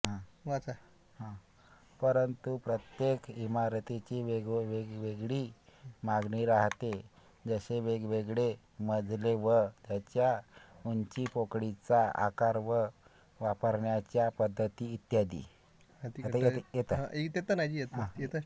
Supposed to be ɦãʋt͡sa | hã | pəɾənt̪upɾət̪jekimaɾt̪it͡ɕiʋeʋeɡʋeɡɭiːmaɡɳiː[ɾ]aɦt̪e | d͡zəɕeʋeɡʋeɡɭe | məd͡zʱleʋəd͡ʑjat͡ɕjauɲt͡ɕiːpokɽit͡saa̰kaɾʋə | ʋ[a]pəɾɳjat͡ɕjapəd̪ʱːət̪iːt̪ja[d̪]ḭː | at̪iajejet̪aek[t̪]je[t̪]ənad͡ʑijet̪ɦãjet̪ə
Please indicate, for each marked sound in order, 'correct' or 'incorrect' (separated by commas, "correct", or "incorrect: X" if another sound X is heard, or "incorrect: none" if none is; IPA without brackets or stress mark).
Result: correct, correct, correct, correct, correct